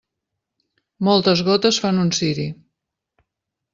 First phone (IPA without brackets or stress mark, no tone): m